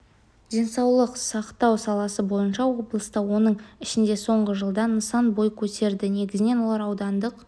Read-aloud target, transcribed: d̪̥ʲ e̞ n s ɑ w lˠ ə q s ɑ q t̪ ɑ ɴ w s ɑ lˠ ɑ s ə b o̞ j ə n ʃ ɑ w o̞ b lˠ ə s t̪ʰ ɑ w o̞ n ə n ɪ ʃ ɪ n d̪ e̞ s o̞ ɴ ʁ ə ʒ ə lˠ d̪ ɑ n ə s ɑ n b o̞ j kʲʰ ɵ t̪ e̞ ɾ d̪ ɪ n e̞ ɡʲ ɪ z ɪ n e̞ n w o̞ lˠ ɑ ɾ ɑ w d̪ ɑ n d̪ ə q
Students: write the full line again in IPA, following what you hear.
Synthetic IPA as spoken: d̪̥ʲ e̞ n s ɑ w lˠ ə q s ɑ q t̪ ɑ w s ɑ lˠ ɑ s ə b o̞ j ə n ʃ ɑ w o̞ b lˠ ə s t̪ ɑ w o̞ n ə ɴ ɪ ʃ ɪ n d̪ e̞ s o̞ ɴ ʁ ə ʒ ə lˠ d̪ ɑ n ə s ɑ n b o̞ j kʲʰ ɵ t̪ e̞ ɾ d̪ ɪ n e̞ ɡʲ ɪ z ɪ n e̞ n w o̞ lˠ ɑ ɾ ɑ w d̪ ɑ n d̪ ə q